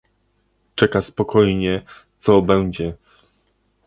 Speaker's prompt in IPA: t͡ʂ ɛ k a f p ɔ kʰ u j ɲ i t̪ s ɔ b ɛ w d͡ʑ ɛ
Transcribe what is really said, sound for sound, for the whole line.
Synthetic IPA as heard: t͡ʂ ɛ k a s p ɔ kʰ ɔ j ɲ ɛ t̪ s ɔ b ɛ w d͡ʑ ɛ